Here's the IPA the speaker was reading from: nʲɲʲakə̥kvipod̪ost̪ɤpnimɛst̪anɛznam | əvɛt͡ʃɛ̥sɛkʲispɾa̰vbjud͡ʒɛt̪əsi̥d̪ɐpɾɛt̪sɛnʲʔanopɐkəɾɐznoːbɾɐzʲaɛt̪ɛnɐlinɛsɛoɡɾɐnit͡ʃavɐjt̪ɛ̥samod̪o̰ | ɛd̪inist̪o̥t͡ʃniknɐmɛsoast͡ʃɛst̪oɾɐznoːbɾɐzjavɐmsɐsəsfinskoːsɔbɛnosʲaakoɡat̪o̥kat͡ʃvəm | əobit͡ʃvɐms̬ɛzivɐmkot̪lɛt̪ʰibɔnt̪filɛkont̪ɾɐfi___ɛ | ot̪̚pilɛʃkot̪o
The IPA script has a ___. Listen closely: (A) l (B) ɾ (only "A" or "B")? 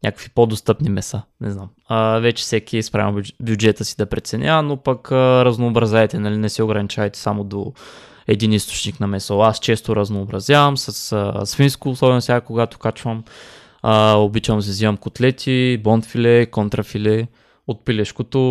A